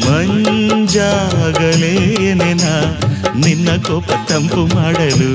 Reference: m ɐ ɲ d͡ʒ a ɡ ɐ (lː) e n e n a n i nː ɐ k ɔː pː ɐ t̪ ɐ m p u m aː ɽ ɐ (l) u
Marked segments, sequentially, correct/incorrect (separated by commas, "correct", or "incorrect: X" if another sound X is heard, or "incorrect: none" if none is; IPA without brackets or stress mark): incorrect: l, correct